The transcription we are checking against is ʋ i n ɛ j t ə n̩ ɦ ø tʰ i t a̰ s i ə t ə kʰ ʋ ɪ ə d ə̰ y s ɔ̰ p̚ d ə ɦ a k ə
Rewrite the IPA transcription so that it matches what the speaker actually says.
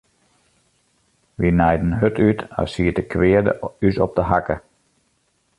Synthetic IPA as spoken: ʋ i n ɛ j d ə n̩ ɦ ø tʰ y t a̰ s i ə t ə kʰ ʋ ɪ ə d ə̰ y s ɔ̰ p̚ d ə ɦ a k ə